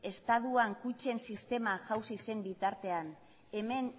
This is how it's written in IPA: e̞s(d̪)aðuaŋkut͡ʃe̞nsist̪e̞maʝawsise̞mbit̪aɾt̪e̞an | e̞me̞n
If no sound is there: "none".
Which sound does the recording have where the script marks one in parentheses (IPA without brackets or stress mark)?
t̪